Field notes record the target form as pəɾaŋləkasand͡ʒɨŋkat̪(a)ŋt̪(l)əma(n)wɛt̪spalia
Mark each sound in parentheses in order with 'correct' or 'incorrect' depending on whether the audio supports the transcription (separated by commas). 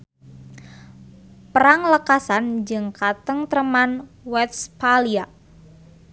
incorrect, incorrect, correct